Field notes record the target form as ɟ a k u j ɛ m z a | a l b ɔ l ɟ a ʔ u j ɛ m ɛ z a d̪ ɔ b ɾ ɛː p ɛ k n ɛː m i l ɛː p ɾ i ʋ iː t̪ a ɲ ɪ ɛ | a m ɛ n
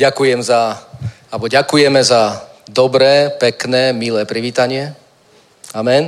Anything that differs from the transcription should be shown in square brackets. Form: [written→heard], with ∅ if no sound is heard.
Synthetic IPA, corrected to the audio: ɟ a k u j ɛ m z a | a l b ɔ [l→∅] ɟ a [ʔ→k] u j ɛ m ɛ z a d̪ ɔ b ɾ ɛː p ɛ k n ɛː m i l ɛː p ɾ i ʋ iː t̪ a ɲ ɪ ɛ | a m ɛ n